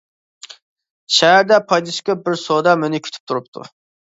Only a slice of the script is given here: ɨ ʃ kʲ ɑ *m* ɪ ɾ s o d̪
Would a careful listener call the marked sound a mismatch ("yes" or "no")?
yes